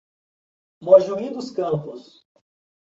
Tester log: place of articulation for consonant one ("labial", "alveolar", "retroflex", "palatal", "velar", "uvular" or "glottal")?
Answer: labial